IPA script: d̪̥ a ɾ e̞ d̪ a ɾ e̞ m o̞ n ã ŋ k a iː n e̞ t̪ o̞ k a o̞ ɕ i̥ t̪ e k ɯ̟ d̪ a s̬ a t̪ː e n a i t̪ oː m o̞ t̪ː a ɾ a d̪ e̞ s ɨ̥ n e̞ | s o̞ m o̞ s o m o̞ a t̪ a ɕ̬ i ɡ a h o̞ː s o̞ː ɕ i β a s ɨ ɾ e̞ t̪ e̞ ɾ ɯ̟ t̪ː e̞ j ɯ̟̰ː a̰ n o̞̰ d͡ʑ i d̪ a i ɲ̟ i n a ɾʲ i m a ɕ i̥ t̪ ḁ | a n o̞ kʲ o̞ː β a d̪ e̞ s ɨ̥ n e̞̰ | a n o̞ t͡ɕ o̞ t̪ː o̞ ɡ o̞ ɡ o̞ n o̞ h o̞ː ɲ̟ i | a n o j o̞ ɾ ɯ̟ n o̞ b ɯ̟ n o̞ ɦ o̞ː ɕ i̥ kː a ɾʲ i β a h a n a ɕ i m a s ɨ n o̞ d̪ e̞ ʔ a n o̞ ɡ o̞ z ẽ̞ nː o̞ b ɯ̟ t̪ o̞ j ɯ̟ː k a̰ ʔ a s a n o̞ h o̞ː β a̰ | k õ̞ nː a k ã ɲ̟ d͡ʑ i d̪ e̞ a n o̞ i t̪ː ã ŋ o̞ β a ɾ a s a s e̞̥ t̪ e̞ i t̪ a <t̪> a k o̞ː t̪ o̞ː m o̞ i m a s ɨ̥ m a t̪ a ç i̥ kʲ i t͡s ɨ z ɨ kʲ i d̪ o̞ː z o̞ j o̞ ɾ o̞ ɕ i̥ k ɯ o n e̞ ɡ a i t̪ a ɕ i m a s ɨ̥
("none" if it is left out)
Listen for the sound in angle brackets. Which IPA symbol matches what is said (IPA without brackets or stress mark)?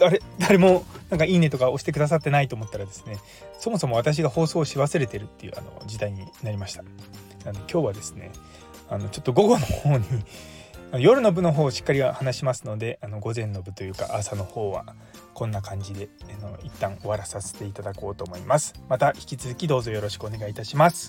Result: d̪